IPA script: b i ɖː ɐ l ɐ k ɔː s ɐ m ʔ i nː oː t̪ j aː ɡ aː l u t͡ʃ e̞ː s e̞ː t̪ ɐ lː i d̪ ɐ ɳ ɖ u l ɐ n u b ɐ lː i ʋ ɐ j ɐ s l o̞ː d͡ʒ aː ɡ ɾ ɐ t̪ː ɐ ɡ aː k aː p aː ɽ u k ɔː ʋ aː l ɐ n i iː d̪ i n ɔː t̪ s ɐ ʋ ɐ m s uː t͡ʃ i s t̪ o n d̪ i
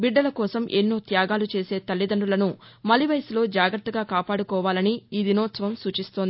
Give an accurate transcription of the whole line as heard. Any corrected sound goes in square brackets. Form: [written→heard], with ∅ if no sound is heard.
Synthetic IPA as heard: b i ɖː ɐ l ɐ k ɔː s ɐ m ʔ [i→e] nː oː t̪ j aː ɡ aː l u t͡ʃ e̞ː s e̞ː t̪ ɐ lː i d̪ ɐ ɳ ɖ u l ɐ n u [b→m] ɐ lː i ʋ ɐ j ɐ s l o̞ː d͡ʒ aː ɡ ɾ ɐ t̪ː ɐ ɡ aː k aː p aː ɽ u k ɔː ʋ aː l ɐ n i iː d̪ i n ɔː t̪ s ɐ ʋ ɐ m s uː t͡ʃ i s t̪ o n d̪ i